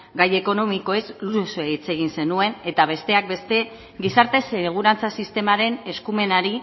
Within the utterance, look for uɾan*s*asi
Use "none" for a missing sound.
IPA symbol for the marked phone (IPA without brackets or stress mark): t͡s